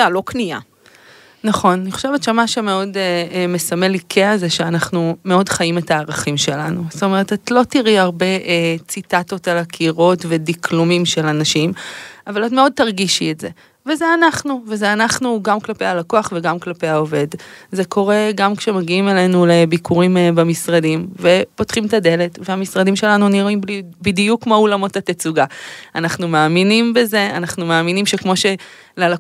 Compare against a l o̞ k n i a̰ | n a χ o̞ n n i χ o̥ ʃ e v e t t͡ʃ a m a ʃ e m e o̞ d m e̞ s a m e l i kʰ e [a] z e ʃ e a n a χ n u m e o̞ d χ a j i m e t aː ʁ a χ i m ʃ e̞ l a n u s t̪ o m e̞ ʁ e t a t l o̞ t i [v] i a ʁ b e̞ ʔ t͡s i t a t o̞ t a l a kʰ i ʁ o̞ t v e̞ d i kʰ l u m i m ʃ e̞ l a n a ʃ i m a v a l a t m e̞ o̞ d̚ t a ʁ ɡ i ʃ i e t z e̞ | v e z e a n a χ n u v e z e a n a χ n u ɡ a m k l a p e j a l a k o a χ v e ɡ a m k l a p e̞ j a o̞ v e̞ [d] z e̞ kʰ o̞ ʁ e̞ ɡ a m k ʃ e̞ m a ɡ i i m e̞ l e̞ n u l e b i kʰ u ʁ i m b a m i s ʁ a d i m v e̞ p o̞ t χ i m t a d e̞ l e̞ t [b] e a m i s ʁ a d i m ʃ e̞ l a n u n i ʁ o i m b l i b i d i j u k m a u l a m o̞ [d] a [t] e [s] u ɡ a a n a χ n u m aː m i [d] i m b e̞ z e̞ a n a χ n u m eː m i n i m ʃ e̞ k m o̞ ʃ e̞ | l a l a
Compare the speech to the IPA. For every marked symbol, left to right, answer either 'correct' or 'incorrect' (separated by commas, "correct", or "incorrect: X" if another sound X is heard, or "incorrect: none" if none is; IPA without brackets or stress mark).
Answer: correct, incorrect: ʁ, correct, incorrect: v, incorrect: t, correct, incorrect: t͡s, incorrect: n